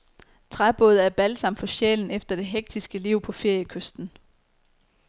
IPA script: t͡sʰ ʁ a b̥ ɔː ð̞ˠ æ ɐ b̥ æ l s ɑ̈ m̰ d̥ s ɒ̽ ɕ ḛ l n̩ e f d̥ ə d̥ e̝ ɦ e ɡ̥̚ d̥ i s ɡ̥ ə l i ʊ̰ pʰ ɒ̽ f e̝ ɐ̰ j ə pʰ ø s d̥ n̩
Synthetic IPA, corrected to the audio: t͡sʰ ʁ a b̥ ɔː ð̞ˠ æ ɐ b̥ æ l s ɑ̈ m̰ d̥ f ɒ̽ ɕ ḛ l n̩ e f d̥ ɐ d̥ e̝ ɦ e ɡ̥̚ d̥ i s ɡ̥ ə l i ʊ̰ pʰ ɒ̽ f e̝ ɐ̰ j ə kʰ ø s d̥ n̩